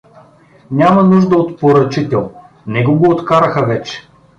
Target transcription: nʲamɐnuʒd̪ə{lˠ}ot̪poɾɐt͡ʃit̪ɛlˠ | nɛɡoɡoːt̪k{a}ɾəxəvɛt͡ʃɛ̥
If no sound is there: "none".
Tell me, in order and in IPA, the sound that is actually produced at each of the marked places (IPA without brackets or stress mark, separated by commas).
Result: none, a